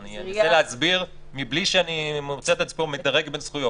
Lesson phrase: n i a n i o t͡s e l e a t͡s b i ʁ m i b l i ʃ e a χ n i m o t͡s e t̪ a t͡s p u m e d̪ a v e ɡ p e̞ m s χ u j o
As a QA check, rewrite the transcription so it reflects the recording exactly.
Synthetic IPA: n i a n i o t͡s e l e a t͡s b i ʁ m i b l i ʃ e a n i m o t͡s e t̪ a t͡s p o m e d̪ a ʁ e ɡ b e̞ n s χ u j o